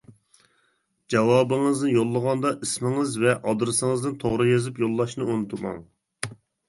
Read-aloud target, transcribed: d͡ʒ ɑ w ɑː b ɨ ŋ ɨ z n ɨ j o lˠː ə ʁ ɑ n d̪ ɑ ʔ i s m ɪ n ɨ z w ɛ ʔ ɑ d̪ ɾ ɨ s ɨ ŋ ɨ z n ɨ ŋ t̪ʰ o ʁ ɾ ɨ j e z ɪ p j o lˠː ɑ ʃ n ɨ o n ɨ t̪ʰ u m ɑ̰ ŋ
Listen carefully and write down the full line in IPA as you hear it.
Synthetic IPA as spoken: d͡ʒ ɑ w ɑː b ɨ ŋ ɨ z n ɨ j o lˠː ə ʁ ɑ n d̪ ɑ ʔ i s m ɪ ŋ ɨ z v ɛ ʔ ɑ d̪ ɾ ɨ s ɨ ŋ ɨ z n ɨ n t̪ʰ o ʁ ɾ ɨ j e z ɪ p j o lˠː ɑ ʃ n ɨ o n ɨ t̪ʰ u m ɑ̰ ŋ